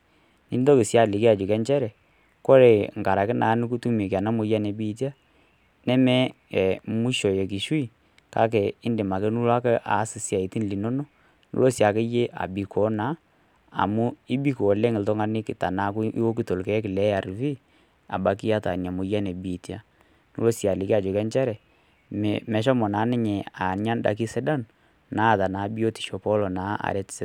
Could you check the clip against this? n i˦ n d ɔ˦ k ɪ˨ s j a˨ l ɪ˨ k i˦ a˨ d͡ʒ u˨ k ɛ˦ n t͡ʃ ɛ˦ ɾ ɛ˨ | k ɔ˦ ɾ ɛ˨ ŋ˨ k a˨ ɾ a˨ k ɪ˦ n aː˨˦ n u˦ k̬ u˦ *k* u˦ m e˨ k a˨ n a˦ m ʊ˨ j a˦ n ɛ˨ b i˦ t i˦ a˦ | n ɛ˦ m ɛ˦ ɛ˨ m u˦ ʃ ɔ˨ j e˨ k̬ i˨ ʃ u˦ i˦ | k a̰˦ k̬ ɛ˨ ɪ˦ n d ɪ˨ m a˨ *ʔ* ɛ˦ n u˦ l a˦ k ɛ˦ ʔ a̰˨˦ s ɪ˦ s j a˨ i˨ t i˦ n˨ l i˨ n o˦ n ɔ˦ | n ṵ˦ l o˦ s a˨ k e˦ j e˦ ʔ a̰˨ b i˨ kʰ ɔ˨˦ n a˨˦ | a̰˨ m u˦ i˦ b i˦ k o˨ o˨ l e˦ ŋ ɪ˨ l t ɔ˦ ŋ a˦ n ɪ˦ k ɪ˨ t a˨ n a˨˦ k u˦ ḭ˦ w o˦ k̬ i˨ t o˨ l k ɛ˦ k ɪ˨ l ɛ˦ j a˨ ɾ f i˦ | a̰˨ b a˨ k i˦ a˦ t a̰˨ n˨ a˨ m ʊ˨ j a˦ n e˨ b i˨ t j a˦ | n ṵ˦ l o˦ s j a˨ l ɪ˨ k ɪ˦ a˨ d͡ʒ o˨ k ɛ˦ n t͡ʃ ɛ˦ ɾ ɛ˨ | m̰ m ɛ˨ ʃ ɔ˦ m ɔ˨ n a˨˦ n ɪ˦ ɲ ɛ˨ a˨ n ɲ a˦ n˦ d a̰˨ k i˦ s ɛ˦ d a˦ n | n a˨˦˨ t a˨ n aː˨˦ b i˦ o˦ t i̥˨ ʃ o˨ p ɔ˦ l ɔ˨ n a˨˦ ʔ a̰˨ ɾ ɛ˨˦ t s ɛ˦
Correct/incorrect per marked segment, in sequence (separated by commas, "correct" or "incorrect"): incorrect, incorrect